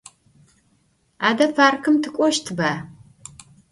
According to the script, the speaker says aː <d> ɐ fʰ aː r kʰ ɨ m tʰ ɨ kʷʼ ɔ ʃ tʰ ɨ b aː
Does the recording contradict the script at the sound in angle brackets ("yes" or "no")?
no